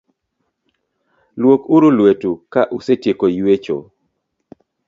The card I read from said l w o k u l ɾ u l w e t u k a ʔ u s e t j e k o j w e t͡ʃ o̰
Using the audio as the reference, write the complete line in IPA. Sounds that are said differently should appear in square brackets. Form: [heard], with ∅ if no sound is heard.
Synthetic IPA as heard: l w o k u [∅] ɾ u l w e t u k a ʔ u s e t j e k o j w e t͡ʃ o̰